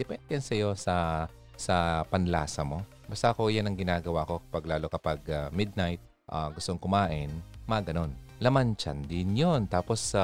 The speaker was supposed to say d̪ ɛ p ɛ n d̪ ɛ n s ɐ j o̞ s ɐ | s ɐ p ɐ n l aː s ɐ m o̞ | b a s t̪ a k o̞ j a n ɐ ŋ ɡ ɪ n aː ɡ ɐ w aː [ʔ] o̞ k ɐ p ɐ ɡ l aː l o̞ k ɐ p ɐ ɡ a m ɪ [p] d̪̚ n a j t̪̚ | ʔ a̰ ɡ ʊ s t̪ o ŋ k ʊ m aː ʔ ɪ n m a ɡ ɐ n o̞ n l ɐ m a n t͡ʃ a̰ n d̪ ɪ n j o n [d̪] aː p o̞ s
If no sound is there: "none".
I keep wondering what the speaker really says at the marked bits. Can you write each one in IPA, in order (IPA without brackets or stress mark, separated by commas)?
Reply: k, none, t̪